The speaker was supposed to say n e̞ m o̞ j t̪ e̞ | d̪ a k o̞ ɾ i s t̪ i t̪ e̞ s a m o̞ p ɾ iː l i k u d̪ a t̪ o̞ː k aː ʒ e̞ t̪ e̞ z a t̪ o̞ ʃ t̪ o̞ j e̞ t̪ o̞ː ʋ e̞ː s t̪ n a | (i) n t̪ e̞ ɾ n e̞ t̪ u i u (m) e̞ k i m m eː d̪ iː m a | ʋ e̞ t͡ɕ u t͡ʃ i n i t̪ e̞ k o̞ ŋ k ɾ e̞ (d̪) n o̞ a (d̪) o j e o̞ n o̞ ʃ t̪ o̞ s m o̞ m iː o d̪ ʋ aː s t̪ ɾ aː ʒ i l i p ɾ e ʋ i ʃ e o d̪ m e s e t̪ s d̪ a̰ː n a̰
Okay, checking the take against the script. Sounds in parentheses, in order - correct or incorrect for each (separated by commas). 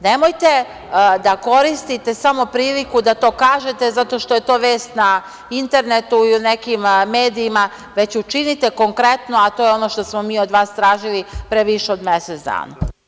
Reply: correct, incorrect, incorrect, incorrect